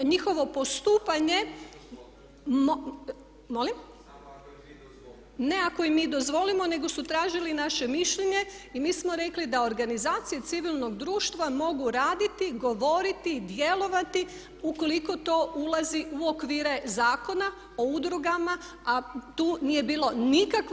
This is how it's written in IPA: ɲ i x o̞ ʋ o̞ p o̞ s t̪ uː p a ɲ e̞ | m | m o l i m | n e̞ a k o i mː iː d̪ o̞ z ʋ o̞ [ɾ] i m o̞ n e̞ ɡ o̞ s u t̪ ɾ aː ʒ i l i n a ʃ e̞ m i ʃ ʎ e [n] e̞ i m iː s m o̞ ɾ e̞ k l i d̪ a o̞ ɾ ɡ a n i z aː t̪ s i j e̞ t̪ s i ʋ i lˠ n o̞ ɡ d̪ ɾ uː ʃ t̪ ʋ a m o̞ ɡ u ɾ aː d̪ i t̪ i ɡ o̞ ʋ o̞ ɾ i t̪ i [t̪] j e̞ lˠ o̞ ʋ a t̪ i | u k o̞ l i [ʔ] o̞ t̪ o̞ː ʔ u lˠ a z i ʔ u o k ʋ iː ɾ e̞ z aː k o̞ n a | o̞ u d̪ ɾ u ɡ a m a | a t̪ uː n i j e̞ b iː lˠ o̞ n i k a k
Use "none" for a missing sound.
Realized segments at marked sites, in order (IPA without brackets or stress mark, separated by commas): l, ɲ, d̪, k